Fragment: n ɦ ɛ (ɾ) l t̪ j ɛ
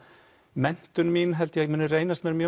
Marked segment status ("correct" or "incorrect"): incorrect